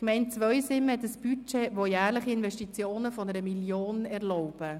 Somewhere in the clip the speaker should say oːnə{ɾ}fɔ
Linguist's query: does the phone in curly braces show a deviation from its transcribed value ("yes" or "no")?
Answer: yes